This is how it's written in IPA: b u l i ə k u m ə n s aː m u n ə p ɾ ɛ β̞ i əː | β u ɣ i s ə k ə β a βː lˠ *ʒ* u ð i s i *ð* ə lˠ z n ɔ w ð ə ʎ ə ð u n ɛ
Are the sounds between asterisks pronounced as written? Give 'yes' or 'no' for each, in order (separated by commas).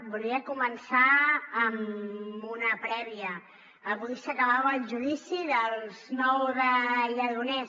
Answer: yes, yes